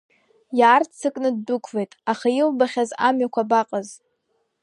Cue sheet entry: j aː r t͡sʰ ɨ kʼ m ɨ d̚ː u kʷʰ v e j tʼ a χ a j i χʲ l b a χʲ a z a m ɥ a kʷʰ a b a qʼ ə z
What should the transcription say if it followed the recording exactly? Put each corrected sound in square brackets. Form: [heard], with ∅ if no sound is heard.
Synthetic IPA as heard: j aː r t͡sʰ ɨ kʼ [n] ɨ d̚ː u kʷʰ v e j tʼ a χ a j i [∅] l b a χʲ a z a m ɥ a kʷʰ a b a qʼ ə z